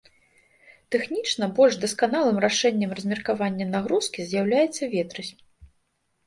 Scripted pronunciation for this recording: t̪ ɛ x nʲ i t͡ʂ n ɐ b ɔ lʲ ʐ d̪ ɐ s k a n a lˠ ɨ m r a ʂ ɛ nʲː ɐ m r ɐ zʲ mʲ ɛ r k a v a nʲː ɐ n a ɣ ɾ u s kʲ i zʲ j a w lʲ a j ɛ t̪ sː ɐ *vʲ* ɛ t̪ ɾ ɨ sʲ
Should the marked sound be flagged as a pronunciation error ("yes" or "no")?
no